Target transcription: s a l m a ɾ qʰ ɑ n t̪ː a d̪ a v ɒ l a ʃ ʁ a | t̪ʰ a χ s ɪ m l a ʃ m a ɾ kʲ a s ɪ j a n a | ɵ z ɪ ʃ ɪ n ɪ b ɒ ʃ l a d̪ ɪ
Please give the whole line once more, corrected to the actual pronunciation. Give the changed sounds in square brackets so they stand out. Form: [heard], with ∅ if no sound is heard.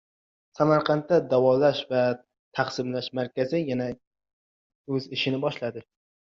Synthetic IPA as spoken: s a [∅] m a ɾ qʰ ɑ n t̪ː a d̪ a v ɒ l a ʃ [v] a | t̪ʰ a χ s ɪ m l a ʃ m a ɾ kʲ a [z] ɪ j a n a | ɵ z ɪ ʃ ɪ n ɪ b ɒ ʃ l a d̪ ɪ